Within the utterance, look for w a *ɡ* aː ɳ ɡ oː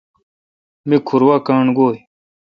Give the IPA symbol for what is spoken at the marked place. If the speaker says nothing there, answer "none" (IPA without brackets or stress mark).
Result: k